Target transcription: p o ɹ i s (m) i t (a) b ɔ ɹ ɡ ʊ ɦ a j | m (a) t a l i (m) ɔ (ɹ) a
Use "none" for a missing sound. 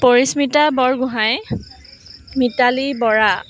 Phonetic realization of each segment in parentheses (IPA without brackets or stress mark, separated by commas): m, a, i, b, ɹ